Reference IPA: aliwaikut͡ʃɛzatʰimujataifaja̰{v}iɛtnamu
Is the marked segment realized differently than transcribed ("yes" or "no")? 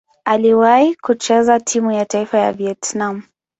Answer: no